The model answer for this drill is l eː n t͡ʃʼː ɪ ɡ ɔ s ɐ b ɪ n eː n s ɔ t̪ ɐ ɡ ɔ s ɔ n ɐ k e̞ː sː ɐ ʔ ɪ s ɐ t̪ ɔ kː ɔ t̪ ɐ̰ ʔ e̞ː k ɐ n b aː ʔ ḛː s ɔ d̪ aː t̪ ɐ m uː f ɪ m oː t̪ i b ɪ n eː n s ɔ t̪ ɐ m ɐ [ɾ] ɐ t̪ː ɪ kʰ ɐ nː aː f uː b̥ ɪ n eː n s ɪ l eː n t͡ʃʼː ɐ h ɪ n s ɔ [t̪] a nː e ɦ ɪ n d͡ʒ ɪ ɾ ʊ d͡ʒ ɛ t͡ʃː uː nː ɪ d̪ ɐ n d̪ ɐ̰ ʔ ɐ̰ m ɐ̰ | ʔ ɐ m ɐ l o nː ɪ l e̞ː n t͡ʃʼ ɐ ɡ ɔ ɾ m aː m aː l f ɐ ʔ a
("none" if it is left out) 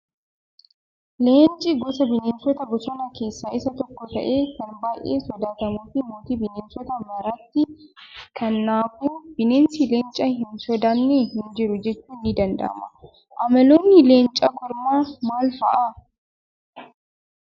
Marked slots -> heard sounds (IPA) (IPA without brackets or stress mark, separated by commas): ɾ, d̪